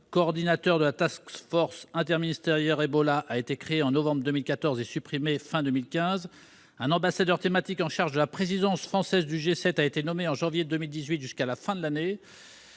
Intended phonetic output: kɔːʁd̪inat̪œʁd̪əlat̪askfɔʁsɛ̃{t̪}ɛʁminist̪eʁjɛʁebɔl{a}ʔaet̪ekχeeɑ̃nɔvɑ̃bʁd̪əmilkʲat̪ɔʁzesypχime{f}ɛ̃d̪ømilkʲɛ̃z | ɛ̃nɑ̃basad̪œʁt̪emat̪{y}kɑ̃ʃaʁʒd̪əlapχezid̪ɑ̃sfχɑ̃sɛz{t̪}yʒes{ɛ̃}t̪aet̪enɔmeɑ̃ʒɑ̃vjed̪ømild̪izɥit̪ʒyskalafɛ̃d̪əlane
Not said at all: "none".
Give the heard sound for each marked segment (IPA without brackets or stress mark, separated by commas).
t̪, a, f, i, d̪, ɛ